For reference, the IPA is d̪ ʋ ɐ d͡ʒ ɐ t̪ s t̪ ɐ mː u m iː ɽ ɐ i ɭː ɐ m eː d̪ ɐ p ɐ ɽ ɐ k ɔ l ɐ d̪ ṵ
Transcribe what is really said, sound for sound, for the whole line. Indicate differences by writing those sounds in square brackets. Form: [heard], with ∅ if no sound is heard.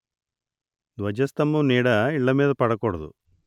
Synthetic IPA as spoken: d̪ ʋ ɐ d͡ʒ ɐ [∅] s t̪ ɐ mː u [n] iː ɽ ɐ i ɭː ɐ m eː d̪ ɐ p ɐ ɽ ɐ k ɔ [ɽ] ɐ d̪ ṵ